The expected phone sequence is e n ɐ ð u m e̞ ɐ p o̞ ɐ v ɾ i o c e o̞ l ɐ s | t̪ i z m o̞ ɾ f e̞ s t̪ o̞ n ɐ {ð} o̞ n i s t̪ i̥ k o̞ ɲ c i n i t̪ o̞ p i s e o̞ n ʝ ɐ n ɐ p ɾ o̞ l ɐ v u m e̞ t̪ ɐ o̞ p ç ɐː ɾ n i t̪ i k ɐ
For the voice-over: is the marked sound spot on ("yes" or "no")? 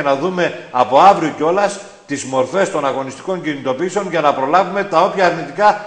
no